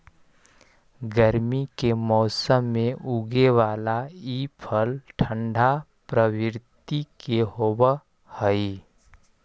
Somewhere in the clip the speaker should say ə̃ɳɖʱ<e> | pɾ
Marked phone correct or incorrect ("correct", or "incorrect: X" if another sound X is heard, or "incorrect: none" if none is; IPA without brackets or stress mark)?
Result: incorrect: a